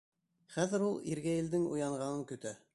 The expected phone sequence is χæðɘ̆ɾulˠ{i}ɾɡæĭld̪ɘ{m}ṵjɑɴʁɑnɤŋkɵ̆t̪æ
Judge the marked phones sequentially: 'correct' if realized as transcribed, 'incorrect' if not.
correct, incorrect: ŋ

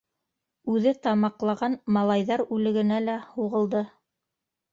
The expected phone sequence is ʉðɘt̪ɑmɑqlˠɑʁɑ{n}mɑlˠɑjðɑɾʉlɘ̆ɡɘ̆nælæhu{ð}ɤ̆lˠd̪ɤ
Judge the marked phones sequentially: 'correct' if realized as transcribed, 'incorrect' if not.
correct, incorrect: ʁ

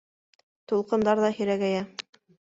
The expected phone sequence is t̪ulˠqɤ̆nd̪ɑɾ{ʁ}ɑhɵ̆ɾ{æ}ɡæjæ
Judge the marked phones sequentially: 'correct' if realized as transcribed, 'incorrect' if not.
incorrect: ð, correct

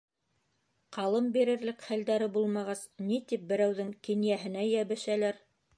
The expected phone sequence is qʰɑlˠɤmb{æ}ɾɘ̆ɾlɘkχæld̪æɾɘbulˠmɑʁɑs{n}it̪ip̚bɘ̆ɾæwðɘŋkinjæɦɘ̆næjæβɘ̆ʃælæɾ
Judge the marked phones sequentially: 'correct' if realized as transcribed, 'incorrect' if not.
incorrect: i, correct

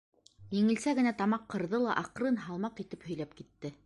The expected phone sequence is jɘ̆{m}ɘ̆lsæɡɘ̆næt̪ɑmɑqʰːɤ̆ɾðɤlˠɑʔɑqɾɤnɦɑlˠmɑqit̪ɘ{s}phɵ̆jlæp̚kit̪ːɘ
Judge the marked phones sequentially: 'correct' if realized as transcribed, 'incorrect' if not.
incorrect: ŋ, incorrect: none

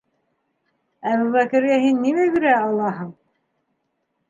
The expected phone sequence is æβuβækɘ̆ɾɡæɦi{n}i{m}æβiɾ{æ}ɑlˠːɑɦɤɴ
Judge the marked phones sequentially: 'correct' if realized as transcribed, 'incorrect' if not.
incorrect: nː, correct, correct

